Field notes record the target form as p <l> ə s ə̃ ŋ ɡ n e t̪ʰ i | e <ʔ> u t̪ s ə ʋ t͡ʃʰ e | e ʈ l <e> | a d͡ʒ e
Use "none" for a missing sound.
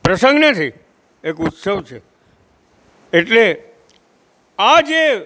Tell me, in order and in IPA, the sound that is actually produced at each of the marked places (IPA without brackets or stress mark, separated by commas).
ɾ, k, e